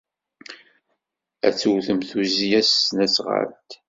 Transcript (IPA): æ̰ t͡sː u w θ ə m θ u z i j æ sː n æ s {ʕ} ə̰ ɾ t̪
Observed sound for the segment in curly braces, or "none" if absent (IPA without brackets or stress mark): ʁ